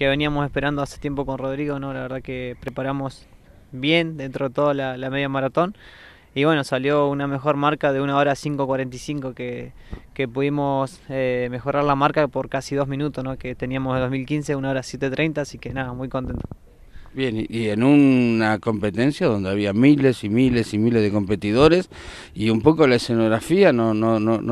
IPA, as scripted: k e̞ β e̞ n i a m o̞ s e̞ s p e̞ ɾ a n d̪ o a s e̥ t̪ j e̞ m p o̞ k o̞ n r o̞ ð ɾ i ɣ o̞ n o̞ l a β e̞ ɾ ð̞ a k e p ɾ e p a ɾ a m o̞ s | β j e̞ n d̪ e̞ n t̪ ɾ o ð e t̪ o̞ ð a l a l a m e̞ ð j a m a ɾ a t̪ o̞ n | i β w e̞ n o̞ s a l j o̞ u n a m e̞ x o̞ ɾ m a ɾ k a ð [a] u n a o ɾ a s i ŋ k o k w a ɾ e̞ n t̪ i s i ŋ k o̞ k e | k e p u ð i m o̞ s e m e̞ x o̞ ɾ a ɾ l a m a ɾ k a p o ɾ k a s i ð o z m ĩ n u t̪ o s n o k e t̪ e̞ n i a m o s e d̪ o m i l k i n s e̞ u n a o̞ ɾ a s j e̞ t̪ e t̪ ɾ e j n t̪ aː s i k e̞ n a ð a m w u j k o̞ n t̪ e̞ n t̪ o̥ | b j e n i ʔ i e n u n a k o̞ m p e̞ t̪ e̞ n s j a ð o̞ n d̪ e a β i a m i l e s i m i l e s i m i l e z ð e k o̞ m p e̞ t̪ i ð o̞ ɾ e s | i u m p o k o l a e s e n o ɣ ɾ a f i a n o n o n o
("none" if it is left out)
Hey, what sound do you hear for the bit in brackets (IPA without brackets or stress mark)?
e